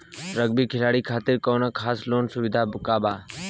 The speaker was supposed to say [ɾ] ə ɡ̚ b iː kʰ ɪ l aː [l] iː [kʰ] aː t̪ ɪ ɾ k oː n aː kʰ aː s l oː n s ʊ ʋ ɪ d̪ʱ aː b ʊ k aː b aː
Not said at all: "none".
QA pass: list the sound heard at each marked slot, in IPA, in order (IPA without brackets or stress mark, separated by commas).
ɾ, ɽ, kʰ